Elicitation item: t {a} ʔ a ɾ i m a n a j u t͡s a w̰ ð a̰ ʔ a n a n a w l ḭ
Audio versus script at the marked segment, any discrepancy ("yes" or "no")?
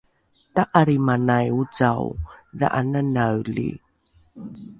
no